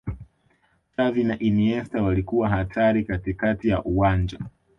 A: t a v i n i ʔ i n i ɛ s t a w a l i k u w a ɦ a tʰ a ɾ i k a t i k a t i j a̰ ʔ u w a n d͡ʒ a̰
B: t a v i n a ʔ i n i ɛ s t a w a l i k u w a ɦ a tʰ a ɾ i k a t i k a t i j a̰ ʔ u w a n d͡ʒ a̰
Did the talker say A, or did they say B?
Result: B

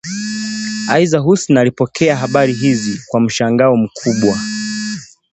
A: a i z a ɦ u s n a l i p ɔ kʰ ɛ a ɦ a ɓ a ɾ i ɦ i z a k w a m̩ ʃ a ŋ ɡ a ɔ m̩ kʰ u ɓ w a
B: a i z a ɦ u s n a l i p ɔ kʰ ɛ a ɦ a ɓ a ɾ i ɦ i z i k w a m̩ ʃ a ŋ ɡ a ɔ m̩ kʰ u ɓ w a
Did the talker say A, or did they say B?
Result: B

